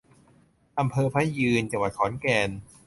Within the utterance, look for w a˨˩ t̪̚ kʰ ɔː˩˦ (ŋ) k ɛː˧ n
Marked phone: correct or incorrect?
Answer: incorrect: n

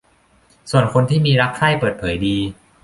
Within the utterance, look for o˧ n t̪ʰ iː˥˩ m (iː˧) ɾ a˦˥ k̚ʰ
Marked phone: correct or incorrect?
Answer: correct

